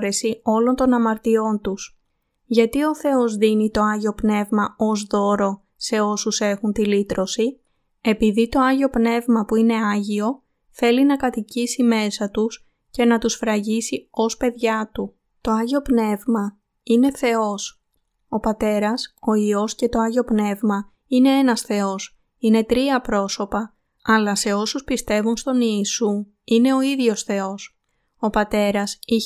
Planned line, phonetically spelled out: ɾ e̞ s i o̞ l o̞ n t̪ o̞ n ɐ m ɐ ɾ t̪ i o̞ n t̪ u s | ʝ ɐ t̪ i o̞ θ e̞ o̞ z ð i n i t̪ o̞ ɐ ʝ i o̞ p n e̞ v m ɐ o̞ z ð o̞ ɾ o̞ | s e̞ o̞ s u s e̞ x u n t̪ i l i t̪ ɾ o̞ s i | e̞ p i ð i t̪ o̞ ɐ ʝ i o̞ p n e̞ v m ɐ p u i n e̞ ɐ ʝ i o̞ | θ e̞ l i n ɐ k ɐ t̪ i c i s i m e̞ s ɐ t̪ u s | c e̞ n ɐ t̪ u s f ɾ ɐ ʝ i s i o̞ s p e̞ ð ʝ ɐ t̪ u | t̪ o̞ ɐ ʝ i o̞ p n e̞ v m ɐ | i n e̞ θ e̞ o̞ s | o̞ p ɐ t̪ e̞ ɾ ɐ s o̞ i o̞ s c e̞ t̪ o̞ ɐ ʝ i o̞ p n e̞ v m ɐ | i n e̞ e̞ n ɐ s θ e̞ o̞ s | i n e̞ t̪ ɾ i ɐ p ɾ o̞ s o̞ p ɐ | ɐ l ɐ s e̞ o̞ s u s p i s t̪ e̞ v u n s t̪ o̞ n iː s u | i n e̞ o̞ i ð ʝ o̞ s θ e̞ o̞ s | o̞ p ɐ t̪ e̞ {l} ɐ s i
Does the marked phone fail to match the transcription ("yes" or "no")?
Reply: yes